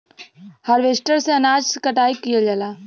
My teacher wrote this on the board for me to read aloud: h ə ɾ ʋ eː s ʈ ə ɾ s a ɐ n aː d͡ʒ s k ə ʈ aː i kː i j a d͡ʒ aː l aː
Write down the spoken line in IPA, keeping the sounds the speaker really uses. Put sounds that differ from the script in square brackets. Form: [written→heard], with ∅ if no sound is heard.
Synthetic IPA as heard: h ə ɾ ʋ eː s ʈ ə ɾ s [a→e] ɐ n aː d͡ʒ s k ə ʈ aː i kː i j a d͡ʒ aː l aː